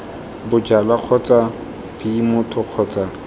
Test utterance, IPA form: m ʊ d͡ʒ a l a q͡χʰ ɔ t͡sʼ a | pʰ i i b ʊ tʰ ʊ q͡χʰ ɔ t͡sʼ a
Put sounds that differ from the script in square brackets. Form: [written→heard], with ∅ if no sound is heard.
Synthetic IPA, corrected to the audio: [m→b] ʊ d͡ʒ a l a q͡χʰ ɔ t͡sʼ a | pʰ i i [b→m] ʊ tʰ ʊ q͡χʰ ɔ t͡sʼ a